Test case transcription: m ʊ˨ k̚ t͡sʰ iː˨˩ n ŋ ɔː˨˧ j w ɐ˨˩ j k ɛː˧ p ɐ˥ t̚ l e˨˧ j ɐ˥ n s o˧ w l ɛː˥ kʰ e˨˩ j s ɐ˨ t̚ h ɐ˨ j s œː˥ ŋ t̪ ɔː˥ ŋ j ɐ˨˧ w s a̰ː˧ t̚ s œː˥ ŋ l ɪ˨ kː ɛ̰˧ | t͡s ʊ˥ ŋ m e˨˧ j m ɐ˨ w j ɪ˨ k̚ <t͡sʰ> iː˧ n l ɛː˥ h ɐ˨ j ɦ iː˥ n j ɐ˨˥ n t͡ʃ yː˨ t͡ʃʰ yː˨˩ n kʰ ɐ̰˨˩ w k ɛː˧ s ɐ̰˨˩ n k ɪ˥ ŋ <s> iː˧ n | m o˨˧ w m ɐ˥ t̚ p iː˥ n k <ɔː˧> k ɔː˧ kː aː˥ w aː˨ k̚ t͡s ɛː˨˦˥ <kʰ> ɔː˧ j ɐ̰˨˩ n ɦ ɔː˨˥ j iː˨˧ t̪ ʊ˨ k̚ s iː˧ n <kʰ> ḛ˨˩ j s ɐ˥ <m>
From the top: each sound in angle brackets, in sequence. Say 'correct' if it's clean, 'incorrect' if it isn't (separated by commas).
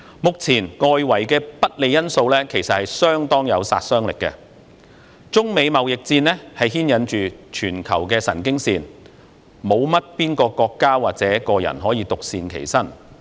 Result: incorrect, correct, correct, incorrect, correct, incorrect